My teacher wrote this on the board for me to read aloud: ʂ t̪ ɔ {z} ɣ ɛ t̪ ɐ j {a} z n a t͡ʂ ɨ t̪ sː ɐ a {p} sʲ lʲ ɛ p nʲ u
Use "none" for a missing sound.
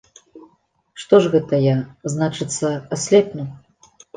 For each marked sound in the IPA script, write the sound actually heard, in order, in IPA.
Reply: ʐ, a, none

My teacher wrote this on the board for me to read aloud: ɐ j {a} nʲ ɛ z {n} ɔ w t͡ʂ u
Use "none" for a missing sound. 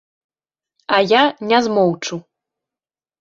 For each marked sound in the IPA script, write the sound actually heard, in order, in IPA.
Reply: a, m

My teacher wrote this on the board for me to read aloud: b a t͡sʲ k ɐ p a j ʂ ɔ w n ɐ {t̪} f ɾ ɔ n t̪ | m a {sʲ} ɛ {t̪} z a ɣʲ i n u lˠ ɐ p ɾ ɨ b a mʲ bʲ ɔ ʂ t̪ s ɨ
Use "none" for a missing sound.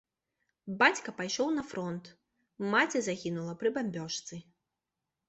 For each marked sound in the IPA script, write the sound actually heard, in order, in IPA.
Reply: none, t͡sʲ, none

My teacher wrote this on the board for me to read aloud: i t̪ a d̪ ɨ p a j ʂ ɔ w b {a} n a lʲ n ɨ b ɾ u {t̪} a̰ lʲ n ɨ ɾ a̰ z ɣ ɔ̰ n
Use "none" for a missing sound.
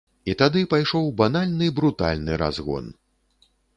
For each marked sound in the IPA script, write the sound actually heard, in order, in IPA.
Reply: a, t̪

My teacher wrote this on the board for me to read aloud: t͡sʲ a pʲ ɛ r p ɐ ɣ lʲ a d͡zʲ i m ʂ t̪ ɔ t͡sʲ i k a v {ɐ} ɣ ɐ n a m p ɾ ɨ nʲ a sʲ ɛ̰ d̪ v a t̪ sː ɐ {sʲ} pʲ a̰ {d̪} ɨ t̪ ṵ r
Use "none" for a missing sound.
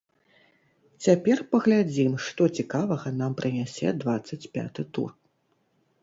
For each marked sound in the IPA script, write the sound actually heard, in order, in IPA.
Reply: ɐ, t͡sʲ, t̪

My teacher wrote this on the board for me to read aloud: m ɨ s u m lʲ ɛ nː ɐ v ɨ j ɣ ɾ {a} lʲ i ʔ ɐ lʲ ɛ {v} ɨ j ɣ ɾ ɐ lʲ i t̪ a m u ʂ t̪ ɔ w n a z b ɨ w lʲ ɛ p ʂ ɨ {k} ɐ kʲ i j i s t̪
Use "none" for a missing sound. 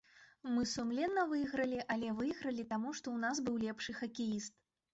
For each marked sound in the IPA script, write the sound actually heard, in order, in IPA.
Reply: ɐ, v, x

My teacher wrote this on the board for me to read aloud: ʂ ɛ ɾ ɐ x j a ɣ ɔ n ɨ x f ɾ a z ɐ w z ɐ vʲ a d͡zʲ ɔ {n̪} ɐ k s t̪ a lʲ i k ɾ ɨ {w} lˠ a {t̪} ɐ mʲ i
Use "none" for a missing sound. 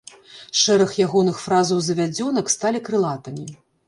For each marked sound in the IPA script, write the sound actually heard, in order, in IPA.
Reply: n̪, none, t̪

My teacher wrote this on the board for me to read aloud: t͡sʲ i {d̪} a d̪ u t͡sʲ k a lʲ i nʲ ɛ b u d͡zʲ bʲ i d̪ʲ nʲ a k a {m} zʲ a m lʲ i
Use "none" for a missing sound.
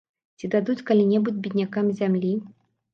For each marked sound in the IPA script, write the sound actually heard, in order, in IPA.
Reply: d̪, m

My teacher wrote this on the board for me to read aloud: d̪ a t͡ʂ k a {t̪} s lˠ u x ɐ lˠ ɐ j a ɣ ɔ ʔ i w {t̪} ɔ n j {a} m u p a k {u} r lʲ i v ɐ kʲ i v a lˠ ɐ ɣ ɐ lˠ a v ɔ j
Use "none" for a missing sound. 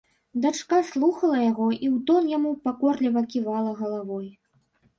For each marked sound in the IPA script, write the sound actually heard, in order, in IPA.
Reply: none, t̪, a, ɔ

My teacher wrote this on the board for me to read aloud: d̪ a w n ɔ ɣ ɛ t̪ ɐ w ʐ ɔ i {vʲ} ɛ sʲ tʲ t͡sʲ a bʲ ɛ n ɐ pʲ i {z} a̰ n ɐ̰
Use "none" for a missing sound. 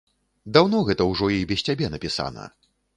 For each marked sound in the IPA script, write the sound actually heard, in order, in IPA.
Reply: bʲ, s

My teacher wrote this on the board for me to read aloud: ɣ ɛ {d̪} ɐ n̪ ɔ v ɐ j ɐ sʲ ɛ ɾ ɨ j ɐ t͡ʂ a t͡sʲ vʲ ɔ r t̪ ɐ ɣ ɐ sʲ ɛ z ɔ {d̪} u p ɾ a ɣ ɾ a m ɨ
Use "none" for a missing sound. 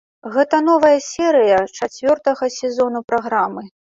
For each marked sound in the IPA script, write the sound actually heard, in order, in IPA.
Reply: t̪, n̪

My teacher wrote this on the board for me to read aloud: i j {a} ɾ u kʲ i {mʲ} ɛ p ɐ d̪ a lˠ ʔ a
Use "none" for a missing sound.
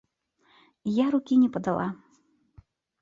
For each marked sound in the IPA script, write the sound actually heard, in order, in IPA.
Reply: a, nʲ

